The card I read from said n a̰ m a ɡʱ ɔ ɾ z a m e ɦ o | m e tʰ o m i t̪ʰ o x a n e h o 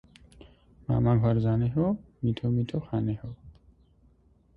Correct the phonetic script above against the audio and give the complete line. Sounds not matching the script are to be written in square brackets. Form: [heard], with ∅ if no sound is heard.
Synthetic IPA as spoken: [m] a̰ m a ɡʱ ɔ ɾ z a [n] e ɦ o | m [i] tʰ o m i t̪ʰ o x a n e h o